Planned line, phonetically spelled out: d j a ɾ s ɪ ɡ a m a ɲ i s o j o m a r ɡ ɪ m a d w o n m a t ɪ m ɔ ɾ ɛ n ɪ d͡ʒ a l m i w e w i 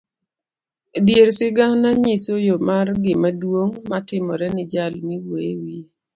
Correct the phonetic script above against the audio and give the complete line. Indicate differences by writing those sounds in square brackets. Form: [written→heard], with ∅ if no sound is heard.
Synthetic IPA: d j [a→e] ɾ s ɪ ɡ a [m→n] a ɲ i s o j o m a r ɡ ɪ m a d w o [n→ŋ] m a t ɪ m ɔ ɾ ɛ n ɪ d͡ʒ a l m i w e w i